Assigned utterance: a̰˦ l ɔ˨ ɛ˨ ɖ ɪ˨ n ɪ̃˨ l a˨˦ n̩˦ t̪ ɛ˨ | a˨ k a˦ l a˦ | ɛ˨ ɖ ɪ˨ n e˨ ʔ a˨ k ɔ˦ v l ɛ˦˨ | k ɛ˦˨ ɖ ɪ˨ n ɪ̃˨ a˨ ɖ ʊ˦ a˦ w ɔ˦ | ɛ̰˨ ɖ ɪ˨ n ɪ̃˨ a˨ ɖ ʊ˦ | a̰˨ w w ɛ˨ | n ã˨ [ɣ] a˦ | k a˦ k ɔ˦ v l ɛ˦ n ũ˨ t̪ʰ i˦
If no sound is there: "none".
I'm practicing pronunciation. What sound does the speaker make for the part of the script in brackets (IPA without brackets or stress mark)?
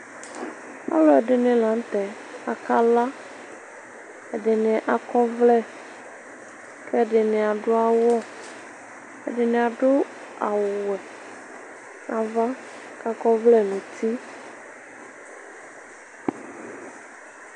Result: v